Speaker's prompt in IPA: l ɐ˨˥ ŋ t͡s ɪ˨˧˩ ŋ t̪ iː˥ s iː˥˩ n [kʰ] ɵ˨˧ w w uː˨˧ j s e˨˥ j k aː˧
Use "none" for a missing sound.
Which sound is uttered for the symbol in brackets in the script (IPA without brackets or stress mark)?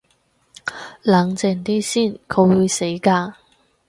kʰ